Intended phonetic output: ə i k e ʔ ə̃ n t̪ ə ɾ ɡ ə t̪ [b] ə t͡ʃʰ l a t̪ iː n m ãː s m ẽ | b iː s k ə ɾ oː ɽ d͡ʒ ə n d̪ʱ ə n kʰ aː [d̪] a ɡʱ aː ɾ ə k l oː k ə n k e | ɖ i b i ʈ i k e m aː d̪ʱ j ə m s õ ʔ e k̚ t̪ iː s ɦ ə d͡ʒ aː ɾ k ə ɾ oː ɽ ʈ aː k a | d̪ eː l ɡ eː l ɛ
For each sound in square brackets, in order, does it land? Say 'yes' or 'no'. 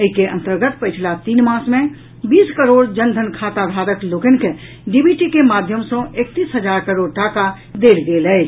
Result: no, no

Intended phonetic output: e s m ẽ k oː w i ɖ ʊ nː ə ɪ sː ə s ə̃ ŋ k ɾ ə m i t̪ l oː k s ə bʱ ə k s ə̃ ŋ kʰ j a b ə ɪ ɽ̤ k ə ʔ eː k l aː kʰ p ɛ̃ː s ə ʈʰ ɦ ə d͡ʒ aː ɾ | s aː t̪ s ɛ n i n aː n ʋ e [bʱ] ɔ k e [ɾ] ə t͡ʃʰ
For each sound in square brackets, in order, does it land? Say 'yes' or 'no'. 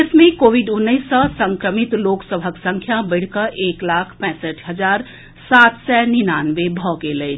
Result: yes, no

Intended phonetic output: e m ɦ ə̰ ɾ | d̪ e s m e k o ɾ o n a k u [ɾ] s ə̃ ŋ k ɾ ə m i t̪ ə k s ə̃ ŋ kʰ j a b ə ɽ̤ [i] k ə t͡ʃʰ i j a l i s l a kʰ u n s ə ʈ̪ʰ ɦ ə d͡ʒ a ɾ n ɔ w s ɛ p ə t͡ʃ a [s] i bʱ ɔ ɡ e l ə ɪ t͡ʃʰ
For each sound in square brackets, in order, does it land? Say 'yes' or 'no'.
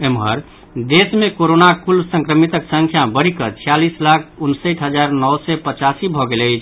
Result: no, yes, yes

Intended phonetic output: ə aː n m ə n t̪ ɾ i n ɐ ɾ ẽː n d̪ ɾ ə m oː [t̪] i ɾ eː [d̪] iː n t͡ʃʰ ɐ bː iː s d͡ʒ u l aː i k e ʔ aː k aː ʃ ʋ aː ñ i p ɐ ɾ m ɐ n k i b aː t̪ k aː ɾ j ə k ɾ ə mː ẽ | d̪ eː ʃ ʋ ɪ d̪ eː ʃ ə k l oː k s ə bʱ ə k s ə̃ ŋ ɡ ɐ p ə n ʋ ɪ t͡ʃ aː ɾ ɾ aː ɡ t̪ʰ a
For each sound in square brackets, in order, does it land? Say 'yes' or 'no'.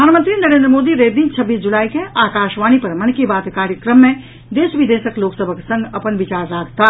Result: no, yes

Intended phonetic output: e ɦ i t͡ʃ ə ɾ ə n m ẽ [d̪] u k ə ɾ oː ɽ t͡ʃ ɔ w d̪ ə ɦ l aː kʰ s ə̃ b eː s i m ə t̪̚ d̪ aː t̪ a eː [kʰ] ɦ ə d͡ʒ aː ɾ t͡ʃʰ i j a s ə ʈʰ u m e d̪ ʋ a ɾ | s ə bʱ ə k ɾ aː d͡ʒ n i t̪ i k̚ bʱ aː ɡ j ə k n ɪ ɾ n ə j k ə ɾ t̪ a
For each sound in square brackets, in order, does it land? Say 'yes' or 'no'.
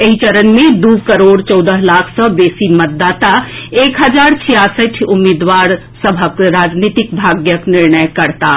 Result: yes, no

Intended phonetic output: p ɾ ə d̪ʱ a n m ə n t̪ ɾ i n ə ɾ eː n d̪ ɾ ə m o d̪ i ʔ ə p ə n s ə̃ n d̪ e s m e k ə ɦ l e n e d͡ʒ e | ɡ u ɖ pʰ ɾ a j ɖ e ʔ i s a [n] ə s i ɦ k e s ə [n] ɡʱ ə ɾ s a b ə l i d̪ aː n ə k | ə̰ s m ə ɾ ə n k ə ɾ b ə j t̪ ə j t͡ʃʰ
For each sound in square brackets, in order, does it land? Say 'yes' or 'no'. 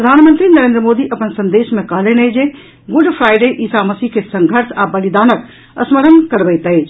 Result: no, no

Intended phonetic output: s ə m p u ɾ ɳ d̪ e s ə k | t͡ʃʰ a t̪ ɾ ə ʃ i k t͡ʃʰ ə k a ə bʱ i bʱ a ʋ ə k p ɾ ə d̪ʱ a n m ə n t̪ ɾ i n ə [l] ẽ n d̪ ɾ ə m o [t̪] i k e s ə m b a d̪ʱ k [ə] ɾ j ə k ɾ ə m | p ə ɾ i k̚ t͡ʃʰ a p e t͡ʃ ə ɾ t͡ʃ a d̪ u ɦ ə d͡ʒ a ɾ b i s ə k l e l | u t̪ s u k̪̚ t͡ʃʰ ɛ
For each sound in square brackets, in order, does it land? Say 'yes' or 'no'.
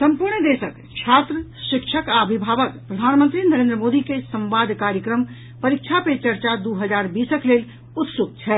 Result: no, no, no

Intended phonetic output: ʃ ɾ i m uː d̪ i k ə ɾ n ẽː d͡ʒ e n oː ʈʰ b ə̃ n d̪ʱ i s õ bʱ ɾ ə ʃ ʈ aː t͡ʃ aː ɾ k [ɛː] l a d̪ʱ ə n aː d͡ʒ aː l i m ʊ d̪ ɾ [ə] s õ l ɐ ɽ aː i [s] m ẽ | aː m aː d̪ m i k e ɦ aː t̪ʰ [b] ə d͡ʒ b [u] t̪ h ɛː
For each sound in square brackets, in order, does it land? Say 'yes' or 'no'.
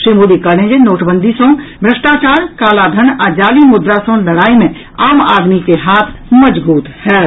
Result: no, no, no, no, no

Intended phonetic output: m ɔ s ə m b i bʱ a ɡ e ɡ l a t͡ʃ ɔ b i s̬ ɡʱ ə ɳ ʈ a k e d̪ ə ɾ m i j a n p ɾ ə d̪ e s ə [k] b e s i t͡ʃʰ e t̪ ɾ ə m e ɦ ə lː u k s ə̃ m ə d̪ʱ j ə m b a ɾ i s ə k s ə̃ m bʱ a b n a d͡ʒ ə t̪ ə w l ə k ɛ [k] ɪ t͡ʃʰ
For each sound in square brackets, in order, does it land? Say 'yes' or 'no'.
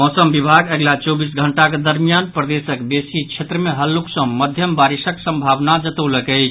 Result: yes, no

